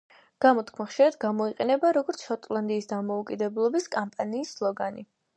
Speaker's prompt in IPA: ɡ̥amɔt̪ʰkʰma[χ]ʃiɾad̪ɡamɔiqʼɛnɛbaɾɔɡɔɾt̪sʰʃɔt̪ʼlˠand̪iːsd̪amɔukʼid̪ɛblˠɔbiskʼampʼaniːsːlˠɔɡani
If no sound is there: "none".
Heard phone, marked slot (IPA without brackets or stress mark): χ